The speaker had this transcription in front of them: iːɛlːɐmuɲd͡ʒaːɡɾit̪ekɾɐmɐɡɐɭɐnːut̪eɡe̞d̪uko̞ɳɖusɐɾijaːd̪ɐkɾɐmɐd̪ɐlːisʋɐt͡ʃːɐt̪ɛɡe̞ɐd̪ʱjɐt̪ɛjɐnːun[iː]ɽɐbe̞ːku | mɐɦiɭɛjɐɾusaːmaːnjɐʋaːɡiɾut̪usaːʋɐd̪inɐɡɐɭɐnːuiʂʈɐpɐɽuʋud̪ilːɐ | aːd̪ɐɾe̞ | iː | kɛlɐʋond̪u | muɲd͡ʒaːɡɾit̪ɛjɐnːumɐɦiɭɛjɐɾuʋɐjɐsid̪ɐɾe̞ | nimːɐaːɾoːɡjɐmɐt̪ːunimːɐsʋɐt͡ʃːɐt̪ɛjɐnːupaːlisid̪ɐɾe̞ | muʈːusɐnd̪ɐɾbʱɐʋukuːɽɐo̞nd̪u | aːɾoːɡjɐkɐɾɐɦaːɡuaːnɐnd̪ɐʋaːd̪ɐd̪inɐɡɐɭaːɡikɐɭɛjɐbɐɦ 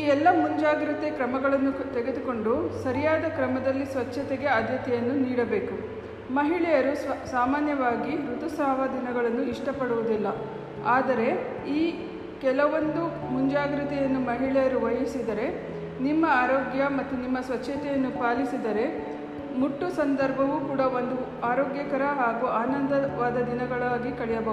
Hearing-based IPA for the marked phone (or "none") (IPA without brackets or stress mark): iː